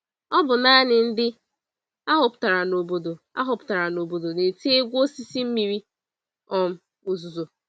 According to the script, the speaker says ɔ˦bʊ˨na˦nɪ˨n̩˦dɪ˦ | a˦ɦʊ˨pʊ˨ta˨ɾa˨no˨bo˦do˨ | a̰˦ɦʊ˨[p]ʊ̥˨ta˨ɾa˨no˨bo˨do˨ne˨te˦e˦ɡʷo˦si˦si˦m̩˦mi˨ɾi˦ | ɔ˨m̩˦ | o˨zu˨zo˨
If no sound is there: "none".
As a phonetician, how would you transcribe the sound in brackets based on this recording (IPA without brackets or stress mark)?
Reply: p